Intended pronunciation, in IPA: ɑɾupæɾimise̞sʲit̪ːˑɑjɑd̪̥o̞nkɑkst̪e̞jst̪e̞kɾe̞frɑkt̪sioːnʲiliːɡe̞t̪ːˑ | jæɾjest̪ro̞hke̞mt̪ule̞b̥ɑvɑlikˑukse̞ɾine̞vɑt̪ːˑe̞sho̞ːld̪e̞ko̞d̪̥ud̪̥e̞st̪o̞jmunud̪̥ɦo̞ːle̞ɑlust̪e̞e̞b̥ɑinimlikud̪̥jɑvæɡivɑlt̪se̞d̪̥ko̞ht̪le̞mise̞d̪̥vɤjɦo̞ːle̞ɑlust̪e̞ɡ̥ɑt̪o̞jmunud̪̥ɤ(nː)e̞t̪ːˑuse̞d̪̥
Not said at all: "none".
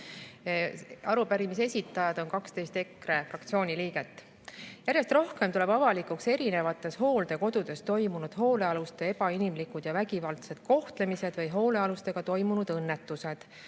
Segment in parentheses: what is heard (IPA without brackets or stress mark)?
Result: nː